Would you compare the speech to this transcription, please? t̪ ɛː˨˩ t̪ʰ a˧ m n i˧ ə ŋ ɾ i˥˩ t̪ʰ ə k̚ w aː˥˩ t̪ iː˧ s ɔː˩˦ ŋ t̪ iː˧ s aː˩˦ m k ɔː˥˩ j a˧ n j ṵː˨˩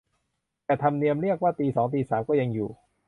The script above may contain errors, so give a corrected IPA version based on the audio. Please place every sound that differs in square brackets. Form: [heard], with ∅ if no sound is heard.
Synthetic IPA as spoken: t̪ ɛː˨˩ t̪ʰ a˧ m n i˧ ə [m] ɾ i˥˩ [∅] ə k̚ w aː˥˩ t̪ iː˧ s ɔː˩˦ ŋ t̪ iː˧ s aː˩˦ m k ɔː˥˩ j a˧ [ŋ] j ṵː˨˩